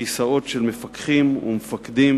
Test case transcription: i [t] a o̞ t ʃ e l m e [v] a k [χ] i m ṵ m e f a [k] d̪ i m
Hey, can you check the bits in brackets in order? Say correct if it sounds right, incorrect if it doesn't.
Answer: incorrect: s, incorrect: f, correct, correct

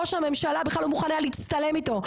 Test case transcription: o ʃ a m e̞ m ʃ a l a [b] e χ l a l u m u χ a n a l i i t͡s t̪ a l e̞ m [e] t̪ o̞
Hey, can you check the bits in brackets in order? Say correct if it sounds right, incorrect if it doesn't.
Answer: correct, incorrect: i

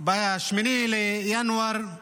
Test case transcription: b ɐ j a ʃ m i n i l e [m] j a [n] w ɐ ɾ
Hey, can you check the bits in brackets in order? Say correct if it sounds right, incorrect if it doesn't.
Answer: incorrect: none, correct

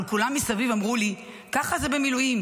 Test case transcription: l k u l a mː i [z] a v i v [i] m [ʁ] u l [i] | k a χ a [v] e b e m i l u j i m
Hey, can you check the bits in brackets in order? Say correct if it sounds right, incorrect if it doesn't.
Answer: incorrect: s, incorrect: a, correct, correct, incorrect: z

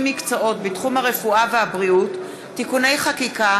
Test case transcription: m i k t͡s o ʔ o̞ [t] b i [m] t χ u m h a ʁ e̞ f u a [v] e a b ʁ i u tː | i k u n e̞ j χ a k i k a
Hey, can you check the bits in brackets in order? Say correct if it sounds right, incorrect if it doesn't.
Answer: correct, incorrect: none, correct

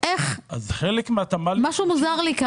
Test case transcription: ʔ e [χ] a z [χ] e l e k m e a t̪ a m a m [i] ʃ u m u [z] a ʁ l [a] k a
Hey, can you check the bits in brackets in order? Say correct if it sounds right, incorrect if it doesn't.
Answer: correct, correct, incorrect: a, correct, incorrect: i

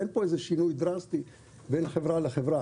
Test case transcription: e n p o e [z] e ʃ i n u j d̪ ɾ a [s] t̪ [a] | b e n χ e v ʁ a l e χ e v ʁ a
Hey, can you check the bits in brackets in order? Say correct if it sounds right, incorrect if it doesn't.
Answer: correct, correct, incorrect: i

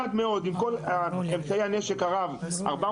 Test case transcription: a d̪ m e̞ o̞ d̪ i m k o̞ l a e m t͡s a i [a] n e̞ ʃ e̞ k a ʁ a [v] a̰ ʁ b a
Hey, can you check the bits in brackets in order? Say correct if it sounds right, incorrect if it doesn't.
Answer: correct, correct

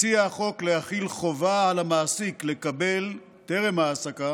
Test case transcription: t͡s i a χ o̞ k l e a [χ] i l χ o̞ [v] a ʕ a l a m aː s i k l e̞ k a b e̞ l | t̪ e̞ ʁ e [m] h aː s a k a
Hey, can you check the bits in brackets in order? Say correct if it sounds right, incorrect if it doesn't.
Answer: correct, correct, correct

